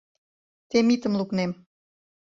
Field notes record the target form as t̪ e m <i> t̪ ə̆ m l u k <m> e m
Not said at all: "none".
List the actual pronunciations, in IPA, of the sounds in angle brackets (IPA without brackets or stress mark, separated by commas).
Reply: i, n